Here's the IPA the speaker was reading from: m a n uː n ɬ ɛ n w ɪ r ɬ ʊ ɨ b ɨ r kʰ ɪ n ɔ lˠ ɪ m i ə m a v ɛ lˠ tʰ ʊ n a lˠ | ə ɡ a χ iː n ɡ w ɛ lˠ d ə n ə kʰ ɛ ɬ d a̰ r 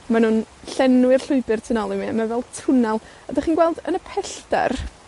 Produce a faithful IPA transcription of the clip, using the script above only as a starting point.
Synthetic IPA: m a n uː n ɬ ɛ n w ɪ r ɬ ʊ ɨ b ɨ r tʰ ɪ n ɔ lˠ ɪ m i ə m a v ɛ lˠ tʰ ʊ n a lˠ | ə d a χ iː n ɡ w ɛ lˠ d ə n ə pʰ ɛ ɬ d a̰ r